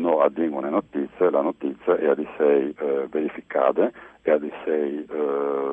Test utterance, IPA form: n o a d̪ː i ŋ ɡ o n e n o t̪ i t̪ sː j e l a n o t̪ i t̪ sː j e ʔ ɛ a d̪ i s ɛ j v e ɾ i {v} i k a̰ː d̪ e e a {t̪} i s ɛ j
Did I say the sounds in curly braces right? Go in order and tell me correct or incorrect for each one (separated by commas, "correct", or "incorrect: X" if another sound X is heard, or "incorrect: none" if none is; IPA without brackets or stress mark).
incorrect: f, incorrect: d̪